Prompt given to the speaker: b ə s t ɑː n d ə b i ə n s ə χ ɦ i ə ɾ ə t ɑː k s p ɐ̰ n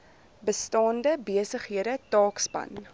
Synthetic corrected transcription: b ə s t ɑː n d ə b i ə s ə χ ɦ i ə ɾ ə t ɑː k s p ɐ̰ n

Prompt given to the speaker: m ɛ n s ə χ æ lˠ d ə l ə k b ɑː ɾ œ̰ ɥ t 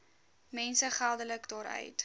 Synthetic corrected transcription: m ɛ n s ə χ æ lˠ d ə l ə k d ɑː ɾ œ̰ ɥ t

